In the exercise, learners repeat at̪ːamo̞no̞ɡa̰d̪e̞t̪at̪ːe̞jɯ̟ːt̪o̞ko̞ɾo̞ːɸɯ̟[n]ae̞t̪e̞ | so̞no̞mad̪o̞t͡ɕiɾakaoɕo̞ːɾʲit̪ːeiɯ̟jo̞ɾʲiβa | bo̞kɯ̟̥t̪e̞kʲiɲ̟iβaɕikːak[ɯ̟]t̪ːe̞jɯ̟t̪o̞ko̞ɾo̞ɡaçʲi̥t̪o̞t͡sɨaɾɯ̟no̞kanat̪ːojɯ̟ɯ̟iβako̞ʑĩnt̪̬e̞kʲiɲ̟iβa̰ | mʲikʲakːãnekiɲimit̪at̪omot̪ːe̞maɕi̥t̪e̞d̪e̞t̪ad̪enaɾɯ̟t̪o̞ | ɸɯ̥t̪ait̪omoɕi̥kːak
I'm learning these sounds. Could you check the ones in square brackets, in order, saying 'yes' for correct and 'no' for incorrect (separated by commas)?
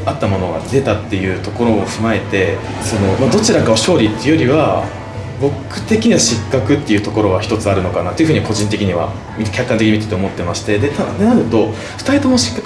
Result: no, yes